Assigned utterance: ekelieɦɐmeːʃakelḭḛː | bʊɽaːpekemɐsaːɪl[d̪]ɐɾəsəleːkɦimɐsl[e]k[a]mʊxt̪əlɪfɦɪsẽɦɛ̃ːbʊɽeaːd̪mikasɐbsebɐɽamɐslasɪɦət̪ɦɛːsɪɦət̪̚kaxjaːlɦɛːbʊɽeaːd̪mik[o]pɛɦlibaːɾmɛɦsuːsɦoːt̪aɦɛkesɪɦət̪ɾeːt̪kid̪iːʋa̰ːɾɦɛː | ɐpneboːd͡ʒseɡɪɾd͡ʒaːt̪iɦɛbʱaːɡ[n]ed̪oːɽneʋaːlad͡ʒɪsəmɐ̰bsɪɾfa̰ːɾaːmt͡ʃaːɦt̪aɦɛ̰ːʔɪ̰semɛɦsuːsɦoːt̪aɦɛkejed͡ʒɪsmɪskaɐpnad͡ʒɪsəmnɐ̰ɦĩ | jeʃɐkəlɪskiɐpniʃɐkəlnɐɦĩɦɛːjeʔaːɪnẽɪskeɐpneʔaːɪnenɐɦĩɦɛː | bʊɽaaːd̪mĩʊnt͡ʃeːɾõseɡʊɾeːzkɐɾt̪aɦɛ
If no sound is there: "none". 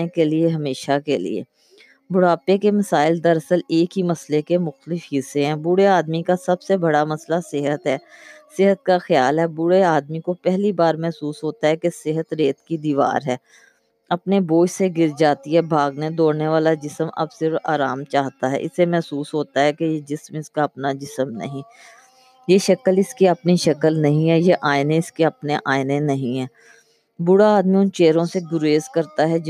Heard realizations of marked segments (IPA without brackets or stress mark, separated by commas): d̪, e, e, o, n